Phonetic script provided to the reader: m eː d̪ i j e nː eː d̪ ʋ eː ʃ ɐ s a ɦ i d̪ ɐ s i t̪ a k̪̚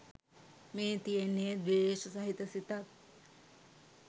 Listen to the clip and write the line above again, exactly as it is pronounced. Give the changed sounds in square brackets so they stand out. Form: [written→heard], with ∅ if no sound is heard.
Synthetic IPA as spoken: m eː [d̪→t̪] i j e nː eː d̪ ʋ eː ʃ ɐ s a ɦ i [d̪→t̪] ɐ s i t̪ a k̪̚